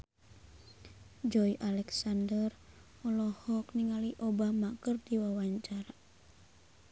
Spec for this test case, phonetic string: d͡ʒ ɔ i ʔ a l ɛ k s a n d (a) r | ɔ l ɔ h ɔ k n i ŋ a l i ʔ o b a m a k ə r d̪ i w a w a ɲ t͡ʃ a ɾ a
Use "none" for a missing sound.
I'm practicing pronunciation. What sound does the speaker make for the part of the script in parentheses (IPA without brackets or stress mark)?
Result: ə